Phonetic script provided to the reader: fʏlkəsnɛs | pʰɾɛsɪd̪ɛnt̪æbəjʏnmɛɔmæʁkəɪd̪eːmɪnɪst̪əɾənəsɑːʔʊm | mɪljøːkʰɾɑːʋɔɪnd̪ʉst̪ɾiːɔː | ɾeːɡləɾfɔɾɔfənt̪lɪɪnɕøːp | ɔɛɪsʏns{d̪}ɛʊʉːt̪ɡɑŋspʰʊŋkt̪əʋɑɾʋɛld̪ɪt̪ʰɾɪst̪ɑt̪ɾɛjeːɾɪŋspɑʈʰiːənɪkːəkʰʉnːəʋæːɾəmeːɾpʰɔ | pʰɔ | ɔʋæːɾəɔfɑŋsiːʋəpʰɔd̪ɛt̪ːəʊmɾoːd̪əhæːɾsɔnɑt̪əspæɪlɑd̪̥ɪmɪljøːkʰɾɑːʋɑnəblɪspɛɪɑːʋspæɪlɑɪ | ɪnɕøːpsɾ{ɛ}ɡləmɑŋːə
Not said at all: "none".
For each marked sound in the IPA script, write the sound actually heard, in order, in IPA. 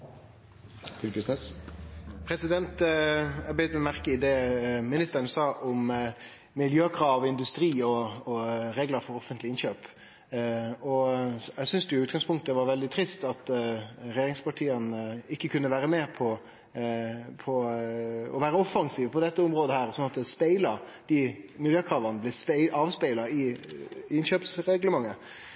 d̪, ɛ

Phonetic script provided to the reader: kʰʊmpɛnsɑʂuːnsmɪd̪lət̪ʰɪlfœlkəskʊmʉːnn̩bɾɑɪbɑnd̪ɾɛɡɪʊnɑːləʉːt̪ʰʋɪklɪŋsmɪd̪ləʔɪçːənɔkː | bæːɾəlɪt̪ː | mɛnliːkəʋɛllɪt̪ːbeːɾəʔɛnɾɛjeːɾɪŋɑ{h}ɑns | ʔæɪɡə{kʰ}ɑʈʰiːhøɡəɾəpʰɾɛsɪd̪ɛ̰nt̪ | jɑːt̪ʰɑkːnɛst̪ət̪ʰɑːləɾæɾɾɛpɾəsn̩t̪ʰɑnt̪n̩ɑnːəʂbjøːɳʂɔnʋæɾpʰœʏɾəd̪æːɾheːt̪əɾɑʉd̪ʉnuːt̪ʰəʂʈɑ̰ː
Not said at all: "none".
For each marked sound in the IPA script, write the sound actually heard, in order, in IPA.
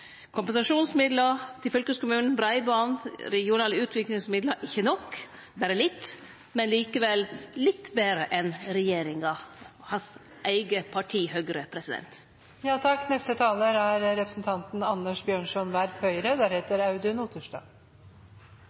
h, pʰ

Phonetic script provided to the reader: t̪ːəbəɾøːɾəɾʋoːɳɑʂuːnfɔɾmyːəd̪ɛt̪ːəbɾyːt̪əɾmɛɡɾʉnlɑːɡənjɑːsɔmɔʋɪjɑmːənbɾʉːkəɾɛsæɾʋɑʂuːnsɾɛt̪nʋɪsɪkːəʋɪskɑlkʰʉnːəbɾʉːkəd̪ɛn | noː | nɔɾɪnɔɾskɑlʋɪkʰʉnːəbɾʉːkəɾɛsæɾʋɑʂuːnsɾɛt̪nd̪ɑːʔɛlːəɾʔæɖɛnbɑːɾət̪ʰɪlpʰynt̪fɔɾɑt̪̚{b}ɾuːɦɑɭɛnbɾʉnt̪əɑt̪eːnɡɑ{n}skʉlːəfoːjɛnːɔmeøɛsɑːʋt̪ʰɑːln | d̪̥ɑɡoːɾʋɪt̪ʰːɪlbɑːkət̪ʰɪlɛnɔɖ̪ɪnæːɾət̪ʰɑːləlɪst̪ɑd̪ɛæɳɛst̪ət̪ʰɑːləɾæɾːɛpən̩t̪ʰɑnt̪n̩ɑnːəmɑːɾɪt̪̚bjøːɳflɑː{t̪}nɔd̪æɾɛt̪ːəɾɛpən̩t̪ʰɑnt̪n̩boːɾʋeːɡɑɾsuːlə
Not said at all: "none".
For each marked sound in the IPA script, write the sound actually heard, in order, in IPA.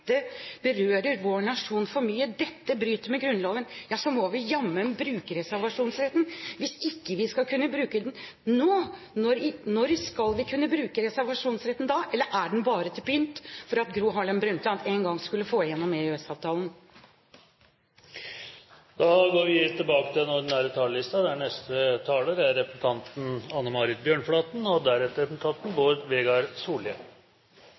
ɡ, ŋ, t̪

